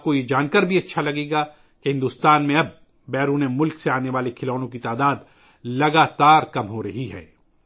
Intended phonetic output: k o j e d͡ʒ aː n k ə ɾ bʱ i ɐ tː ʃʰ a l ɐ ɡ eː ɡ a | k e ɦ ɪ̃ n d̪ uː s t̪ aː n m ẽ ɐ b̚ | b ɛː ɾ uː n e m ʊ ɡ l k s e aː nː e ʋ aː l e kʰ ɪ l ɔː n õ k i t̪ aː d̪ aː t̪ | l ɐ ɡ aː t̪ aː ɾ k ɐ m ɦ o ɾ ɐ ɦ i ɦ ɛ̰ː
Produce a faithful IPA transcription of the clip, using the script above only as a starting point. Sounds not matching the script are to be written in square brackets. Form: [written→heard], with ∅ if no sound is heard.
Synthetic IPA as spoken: k o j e d͡ʒ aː n k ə ɾ bʱ i ɐ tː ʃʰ a l ɐ ɡ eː ɡ a | k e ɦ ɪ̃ n d̪ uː s t̪ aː n m ẽ ɐ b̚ | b ɛː ɾ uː n e m ʊ [ɡ→∅] l k s e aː [nː→n] e ʋ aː l e kʰ ɪ l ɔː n õ k i t̪ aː d̪ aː [t̪→d̪] | l ɐ ɡ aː t̪ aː ɾ k ɐ m ɦ o ɾ ɐ ɦ i ɦ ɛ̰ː